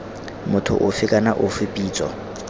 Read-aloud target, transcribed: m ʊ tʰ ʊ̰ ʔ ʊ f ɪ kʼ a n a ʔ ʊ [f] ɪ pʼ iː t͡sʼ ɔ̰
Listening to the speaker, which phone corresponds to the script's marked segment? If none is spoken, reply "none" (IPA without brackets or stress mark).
f